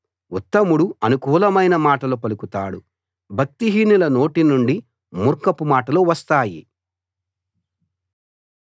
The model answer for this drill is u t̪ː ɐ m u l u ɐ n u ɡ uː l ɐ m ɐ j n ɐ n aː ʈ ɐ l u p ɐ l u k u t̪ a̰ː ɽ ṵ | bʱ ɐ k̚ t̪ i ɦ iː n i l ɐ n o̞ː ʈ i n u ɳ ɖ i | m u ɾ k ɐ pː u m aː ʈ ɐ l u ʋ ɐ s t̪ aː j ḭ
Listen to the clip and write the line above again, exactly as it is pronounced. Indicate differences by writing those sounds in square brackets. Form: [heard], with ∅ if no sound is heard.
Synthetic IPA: u t̪ː ɐ m u [ɽ] u ɐ n u [k] uː l ɐ m ɐ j n ɐ [m] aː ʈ ɐ l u p ɐ l u k u t̪ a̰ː ɽ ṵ | bʱ ɐ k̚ t̪ i ɦ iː n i l ɐ n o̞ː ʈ i n u ɳ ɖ i | m u ɾ k ɐ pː u m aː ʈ ɐ l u ʋ ɐ s t̪ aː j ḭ